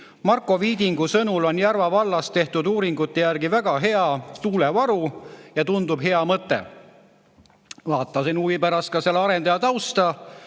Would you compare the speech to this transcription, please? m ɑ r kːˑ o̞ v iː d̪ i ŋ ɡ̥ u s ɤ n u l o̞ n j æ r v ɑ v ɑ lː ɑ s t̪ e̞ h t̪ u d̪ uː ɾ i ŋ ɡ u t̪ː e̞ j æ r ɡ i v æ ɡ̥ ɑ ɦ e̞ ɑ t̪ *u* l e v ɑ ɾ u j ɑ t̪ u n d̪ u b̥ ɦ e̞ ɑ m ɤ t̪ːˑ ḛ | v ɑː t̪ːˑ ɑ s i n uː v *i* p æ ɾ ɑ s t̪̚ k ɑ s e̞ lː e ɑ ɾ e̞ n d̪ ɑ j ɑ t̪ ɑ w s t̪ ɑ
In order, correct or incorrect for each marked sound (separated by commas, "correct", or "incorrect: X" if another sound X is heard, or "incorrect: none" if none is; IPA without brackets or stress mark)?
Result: incorrect: uː, correct